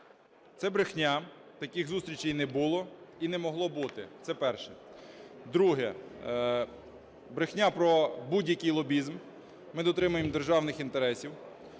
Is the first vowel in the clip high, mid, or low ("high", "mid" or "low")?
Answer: mid